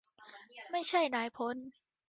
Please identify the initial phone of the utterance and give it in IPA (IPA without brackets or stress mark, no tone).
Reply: m